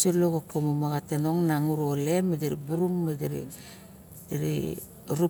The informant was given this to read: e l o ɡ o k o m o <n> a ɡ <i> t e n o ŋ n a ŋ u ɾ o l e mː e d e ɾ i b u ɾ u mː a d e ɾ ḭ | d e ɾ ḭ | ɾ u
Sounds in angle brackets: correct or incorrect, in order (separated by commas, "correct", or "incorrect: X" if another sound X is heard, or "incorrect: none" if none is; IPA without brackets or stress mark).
incorrect: m, incorrect: a